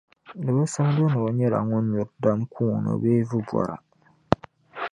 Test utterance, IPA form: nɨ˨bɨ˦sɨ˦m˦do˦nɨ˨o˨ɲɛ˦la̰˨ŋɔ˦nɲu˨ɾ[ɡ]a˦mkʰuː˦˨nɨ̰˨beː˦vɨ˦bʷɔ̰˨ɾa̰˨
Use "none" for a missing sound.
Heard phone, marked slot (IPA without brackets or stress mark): d